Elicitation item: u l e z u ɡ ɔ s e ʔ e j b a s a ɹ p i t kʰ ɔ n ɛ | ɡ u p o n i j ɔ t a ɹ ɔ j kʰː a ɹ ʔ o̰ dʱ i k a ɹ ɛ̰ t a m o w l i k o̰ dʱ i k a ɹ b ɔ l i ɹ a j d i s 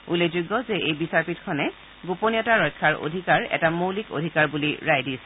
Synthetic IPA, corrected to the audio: u l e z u ɡ ɔ z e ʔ e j b i s a ɹ p i t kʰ ɔ n ɛ | ɡ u p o n i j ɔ t a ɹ ɔ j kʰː a ɹ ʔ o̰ dʱ i k a ɹ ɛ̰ t a m o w l i k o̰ dʱ i k a ɹ b u l i ɹ a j d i s